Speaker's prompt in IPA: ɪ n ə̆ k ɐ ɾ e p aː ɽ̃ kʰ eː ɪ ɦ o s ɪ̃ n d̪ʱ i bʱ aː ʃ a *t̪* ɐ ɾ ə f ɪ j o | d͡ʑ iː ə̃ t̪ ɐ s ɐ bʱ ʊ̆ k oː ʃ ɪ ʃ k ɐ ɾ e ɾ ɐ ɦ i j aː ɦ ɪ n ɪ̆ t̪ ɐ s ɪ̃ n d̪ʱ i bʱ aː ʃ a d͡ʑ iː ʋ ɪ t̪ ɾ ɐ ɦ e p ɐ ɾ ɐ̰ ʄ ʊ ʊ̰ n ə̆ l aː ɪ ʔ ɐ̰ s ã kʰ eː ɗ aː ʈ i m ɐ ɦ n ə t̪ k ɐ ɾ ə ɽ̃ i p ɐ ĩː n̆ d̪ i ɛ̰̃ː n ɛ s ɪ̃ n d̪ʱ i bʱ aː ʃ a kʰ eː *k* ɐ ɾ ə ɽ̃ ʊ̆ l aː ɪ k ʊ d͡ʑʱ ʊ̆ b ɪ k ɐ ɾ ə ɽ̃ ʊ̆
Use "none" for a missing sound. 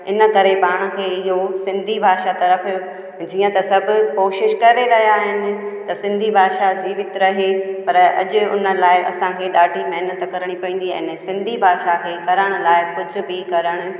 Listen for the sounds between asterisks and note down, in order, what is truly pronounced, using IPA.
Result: t̪, k

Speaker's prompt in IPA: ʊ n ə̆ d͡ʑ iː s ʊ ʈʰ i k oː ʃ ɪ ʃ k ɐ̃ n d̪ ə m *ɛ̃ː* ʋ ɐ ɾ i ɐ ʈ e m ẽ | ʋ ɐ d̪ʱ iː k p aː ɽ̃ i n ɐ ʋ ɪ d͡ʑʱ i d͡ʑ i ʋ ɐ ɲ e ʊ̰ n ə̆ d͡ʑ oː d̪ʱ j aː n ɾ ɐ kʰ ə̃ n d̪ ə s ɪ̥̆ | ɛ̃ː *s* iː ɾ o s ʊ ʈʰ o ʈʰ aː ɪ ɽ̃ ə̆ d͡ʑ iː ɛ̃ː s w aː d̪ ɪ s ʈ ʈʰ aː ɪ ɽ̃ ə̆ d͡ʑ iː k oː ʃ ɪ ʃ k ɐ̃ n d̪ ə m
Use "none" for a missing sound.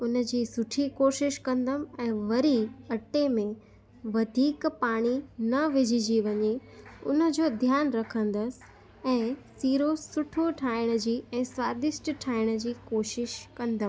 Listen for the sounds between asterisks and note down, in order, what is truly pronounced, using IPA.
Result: ɛ̃ː, s

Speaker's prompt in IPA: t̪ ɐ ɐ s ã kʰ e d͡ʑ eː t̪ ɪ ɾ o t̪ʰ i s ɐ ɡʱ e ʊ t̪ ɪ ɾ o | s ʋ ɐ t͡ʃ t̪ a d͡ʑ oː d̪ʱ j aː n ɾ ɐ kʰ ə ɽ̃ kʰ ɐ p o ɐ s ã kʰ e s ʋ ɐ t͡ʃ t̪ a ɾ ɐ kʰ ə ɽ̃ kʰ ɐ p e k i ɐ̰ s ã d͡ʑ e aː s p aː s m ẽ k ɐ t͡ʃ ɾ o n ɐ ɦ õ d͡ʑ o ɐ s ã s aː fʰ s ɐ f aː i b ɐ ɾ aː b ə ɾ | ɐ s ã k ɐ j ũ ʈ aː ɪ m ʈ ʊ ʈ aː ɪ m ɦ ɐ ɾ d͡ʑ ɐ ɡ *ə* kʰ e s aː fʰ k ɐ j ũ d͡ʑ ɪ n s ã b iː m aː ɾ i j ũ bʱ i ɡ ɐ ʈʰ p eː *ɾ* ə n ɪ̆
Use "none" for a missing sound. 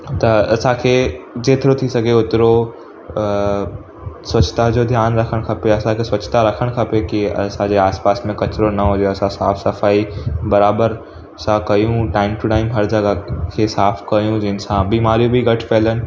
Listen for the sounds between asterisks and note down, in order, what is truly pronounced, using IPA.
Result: a, l

